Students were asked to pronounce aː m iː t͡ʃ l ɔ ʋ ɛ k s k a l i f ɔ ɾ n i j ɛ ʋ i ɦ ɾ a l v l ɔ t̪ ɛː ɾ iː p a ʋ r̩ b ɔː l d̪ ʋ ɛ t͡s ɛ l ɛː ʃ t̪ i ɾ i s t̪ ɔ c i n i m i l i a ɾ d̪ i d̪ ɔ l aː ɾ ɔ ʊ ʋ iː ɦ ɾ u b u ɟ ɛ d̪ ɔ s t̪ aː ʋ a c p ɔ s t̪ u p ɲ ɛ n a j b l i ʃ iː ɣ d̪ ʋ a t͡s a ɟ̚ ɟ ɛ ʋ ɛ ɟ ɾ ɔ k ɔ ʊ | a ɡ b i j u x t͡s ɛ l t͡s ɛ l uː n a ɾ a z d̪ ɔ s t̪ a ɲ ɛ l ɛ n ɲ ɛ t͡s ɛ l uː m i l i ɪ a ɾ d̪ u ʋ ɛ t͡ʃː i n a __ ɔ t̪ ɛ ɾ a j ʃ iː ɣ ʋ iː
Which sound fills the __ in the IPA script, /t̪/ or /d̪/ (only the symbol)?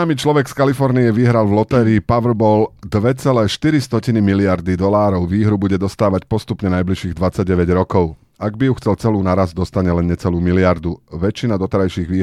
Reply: d̪